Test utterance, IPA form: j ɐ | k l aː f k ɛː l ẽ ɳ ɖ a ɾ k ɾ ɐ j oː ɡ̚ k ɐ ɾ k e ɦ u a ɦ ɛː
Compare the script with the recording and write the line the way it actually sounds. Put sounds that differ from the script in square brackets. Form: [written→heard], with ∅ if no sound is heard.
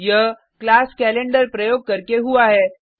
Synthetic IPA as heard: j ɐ | k l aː [f→s] k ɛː l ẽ ɳ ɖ [a→ə] ɾ [k→p] ɾ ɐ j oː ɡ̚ k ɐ ɾ k e ɦ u a ɦ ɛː